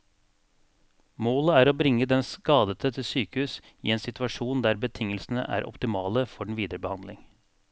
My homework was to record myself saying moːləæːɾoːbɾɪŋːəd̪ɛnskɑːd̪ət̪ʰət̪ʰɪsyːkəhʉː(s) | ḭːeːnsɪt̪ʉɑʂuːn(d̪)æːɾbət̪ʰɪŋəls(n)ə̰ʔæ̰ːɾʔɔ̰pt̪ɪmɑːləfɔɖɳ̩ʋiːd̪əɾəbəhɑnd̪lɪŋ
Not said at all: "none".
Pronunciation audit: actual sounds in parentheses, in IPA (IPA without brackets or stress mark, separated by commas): s, d̪, n